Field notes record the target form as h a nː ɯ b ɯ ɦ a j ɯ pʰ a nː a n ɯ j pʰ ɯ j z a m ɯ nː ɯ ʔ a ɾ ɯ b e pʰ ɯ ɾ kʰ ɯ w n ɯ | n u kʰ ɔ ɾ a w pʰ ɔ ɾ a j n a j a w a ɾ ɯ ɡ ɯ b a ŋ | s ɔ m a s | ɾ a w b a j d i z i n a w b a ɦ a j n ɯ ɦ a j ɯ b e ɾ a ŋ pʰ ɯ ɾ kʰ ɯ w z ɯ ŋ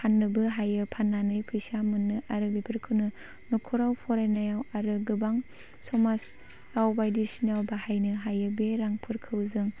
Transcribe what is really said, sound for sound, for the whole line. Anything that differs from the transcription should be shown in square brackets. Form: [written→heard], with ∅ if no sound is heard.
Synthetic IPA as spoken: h a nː ɯ b ɯ ɦ a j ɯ pʰ a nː a n ɯ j pʰ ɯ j [z→s] a m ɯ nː ɯ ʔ a ɾ ɯ b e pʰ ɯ ɾ kʰ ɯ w n ɯ | n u kʰ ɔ ɾ a w pʰ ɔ ɾ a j n a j a w a ɾ ɯ ɡ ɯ b a ŋ | s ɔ m a s | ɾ a w b a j d i [z→s] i n a w b a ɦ a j n ɯ ɦ a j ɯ b e ɾ a ŋ pʰ ɯ ɾ kʰ ɯ w z ɯ ŋ